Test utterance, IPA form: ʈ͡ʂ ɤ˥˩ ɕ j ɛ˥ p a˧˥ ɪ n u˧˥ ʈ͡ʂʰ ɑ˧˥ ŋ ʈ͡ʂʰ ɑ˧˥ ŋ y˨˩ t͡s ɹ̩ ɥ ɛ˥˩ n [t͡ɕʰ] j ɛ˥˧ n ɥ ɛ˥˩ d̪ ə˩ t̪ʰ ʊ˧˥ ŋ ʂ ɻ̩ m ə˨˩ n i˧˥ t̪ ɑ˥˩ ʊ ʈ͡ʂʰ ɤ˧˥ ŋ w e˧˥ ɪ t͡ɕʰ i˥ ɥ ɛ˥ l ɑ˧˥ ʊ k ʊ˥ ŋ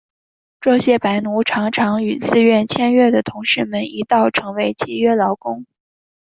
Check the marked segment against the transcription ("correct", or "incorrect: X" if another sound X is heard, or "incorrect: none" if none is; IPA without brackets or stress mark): correct